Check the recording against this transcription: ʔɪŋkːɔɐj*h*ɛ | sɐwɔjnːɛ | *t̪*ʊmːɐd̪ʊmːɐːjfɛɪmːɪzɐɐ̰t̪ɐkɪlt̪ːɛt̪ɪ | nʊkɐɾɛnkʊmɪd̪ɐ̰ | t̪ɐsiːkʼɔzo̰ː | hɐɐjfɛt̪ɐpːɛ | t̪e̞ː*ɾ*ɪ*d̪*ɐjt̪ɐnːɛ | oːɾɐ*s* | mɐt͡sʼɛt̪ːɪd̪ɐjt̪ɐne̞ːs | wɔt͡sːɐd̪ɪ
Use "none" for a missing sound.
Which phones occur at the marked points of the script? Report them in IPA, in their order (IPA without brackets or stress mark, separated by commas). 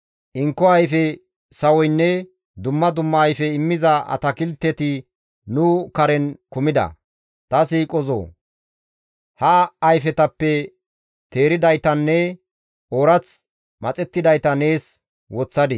f, d̪, ɾ, d̪, t͡s